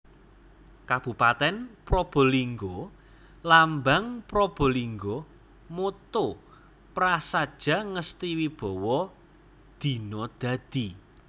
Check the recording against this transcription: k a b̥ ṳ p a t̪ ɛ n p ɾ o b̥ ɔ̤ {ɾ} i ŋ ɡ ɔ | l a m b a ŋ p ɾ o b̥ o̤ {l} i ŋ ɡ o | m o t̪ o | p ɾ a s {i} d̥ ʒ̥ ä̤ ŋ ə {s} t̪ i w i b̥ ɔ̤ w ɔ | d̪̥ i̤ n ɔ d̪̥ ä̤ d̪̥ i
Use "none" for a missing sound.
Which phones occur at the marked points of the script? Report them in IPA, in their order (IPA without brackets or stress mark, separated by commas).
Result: l, l, a, s